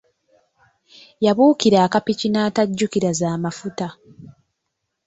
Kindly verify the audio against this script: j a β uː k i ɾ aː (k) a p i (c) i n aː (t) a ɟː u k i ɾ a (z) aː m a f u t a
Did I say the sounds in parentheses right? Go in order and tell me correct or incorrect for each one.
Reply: correct, correct, correct, correct

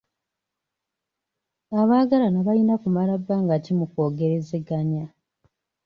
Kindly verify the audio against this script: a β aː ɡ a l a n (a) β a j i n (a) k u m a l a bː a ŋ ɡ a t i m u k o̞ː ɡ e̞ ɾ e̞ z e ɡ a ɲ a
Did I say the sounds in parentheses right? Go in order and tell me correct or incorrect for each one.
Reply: correct, correct

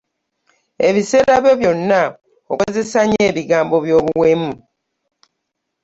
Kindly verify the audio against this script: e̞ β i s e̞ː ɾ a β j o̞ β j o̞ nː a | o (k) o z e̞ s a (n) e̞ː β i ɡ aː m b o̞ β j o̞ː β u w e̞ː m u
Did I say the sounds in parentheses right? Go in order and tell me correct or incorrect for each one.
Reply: correct, incorrect

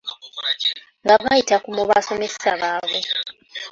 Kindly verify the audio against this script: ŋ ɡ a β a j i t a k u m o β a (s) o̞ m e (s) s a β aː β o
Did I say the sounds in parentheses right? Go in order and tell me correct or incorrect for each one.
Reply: correct, correct

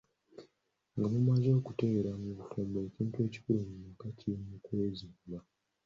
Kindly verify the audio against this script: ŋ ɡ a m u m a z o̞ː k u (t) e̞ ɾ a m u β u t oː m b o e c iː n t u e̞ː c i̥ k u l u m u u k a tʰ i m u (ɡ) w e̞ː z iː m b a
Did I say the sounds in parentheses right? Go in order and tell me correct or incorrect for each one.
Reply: correct, incorrect

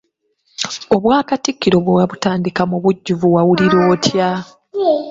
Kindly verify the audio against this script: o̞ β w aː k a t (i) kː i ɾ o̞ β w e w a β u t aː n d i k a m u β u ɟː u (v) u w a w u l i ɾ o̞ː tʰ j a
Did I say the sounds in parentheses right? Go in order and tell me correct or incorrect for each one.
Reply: correct, correct

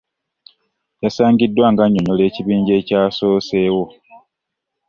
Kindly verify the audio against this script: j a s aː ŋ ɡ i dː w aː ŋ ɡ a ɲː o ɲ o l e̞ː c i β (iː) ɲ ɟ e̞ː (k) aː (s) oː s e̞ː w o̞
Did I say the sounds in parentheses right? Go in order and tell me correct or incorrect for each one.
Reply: correct, incorrect, correct

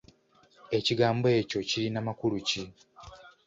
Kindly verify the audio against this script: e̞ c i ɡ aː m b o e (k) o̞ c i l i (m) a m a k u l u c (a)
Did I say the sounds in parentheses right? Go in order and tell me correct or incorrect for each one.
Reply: incorrect, incorrect, incorrect

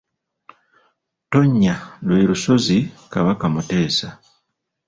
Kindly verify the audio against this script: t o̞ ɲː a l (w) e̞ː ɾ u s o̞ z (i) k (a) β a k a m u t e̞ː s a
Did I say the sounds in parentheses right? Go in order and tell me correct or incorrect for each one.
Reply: correct, correct, correct

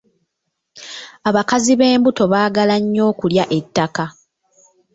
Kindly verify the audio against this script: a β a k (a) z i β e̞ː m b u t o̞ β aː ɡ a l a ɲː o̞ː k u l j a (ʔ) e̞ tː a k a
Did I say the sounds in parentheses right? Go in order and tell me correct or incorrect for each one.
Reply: correct, correct

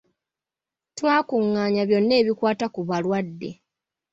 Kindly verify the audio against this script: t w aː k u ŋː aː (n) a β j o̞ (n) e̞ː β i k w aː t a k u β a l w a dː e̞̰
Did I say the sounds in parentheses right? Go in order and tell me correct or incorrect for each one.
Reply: incorrect, incorrect

